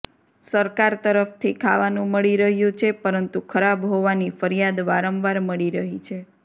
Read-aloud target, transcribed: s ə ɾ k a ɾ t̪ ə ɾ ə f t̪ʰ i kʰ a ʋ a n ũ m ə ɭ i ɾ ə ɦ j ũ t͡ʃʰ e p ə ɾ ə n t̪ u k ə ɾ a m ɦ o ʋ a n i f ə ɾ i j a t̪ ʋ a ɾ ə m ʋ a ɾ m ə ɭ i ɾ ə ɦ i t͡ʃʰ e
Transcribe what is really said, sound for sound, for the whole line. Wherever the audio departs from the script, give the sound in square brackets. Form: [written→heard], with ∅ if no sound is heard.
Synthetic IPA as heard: s ə ɾ k a ɾ t̪ ə ɾ ə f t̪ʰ i kʰ a ʋ a n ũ m ə ɭ i ɾ ə ɦ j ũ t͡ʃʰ e p ə ɾ ə n t̪ u [k→kʰ] ə ɾ a [m→b] ɦ o ʋ a n i f ə ɾ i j a [t̪→d̪] ʋ a ɾ ə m ʋ a ɾ m ə ɭ i ɾ ə ɦ i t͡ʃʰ e